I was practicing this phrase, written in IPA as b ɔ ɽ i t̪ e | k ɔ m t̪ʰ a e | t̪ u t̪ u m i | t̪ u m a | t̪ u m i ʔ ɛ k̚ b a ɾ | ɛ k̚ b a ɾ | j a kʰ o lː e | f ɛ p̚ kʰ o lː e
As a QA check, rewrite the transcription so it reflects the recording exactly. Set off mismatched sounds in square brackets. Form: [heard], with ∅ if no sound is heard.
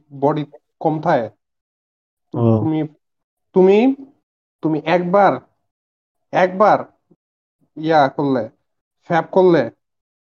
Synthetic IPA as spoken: b ɔ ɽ i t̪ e | k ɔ m t̪ʰ a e | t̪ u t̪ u m i | t̪ u m [i] | t̪ u m i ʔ ɛ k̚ b a ɾ | ɛ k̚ b a ɾ | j a [k] o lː e | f ɛ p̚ [k] o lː e